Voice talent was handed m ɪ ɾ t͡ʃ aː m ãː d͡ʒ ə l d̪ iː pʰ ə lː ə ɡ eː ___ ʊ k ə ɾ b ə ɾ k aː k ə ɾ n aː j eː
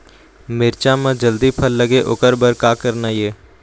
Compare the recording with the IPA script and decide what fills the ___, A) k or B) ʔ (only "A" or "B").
B